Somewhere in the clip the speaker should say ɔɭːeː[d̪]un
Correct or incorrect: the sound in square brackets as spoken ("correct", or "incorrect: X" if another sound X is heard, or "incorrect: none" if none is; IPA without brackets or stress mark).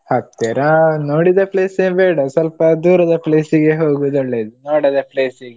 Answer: correct